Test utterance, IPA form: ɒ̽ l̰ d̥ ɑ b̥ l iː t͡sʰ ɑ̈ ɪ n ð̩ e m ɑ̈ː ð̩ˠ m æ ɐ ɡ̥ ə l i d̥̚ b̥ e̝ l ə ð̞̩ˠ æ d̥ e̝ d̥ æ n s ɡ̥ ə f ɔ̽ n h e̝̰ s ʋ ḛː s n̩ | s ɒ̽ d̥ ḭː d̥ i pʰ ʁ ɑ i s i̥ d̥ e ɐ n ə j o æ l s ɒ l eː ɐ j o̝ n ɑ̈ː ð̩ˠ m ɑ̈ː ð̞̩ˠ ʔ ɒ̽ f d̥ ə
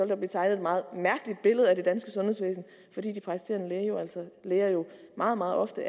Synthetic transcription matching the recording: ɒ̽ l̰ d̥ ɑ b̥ l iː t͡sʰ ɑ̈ ɪ n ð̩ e m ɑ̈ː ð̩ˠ m æ ɐ ɡ̥ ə l i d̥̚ b̥ e̝ l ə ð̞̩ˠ æ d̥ e̝ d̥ æ n s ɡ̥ ə s ɔ̽ n h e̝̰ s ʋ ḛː s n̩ | f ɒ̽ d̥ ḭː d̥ i pʰ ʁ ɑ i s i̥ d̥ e ɐ n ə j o æ l s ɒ l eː ɐ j o̝ m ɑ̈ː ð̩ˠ m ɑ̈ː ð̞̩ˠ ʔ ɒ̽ f d̥ ə